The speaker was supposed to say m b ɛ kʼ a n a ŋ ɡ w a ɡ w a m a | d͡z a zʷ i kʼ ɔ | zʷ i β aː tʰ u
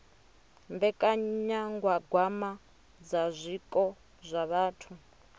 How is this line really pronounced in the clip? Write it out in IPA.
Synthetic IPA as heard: m b ɛ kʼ a ɲ a ŋ ɡ w a ɡ w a m a | d͡z a zʷ i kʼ ɔ | zʷ a β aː tʰ u